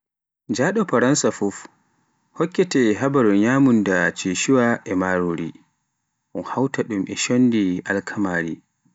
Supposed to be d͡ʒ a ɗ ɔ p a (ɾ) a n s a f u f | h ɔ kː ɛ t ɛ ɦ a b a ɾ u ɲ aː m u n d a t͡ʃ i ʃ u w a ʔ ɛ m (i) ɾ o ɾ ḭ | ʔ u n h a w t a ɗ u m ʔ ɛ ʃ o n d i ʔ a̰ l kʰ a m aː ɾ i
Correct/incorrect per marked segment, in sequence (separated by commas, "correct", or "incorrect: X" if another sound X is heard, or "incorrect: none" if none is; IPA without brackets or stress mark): correct, incorrect: a